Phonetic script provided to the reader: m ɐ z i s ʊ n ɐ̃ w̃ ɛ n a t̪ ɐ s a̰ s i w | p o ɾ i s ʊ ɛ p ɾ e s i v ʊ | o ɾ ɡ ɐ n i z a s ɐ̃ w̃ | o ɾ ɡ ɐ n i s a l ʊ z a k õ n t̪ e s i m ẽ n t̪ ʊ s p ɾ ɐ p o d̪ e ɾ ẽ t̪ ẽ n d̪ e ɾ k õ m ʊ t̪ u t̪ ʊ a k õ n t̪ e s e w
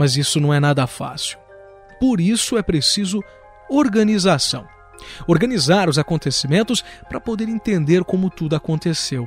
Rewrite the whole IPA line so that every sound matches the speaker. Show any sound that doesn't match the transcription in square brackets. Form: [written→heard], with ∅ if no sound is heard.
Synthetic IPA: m ɐ z i s ʊ n ɐ̃ w̃ ɛ n a [t̪→d̪] ɐ [s→f] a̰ s i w | p o ɾ i s ʊ ɛ p ɾ e s i [v→z] ʊ | o ɾ ɡ ɐ n i z a s ɐ̃ w̃ | o ɾ ɡ ɐ n i [s→z] a [l→ɾ] ʊ z a k õ n t̪ e s i m ẽ n t̪ ʊ s p ɾ ɐ p o d̪ e ɾ ẽ t̪ ẽ n d̪ e ɾ k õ m ʊ t̪ u [t̪→d̪] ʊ a k õ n t̪ e s e w